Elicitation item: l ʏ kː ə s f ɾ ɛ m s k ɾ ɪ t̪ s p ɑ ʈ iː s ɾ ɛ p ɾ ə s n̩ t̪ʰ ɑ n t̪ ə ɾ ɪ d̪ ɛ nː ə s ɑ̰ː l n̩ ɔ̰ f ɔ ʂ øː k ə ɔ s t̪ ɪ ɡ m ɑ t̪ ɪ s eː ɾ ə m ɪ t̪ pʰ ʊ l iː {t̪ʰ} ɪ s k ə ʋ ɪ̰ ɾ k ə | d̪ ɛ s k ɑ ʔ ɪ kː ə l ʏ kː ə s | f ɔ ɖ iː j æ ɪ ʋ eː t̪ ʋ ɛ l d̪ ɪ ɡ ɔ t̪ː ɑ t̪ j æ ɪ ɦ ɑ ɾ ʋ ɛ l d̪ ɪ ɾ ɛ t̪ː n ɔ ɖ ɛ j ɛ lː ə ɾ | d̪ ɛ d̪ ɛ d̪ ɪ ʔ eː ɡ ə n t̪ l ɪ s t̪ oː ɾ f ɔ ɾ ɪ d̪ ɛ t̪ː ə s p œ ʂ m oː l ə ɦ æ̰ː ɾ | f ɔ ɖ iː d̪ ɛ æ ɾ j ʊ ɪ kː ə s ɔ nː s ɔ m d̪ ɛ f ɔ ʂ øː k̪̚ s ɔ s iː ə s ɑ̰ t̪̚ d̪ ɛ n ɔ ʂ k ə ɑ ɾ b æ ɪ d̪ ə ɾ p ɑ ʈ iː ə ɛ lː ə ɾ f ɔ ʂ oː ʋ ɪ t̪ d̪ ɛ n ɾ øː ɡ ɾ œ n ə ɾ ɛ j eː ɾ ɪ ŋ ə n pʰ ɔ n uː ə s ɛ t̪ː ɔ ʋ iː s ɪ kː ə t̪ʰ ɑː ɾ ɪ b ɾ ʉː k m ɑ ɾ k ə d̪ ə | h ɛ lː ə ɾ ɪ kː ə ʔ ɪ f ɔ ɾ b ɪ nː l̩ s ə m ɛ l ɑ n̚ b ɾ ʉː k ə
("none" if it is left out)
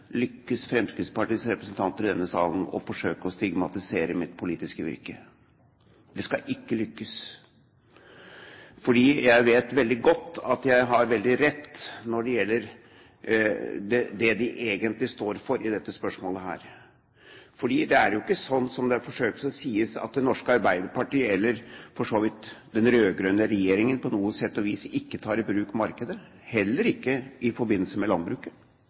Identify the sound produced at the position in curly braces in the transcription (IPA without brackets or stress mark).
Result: t̪